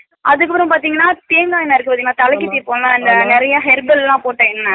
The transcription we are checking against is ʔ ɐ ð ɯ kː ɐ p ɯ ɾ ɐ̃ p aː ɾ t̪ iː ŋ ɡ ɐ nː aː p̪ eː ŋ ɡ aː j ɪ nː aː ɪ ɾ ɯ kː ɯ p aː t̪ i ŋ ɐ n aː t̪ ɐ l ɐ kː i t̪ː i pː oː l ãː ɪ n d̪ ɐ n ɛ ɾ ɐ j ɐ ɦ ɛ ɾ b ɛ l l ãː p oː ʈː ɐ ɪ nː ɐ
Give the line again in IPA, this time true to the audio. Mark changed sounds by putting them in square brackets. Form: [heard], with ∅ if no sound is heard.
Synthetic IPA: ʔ ɐ ð ɯ kː ɐ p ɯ ɾ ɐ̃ p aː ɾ t̪ iː ŋ ɡ ɐ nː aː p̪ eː ŋ ɡ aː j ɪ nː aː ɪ ɾ ɯ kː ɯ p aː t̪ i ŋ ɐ n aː t̪ ɐ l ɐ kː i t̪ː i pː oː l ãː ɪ n d̪ ɐ n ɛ ɾ ɐ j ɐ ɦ ɛ ɾ b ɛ l l ãː p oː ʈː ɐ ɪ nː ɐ